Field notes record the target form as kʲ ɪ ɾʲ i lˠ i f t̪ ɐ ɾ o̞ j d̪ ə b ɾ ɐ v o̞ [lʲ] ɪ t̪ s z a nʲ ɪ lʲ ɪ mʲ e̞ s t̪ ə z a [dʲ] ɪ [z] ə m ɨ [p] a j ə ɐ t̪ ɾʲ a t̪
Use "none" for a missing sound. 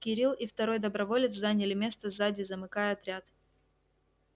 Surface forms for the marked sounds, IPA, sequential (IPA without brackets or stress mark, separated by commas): lʲ, dʲ, z, k